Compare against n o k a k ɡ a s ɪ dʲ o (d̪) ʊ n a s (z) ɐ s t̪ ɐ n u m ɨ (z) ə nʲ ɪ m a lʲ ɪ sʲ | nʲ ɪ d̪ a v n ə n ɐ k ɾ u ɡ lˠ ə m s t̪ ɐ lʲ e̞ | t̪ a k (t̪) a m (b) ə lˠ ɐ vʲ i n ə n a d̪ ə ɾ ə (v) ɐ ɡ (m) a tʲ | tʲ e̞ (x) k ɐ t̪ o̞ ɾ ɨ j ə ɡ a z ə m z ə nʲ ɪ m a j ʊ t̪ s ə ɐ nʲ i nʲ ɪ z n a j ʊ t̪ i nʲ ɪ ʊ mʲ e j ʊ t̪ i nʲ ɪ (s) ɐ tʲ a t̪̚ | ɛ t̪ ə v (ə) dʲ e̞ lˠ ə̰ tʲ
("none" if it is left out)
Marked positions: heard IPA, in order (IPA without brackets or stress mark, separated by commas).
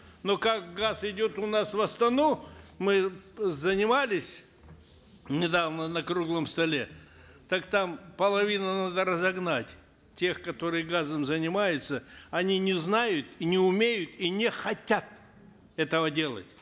t̪, v, z, t̪, p, z, n, x, x, ə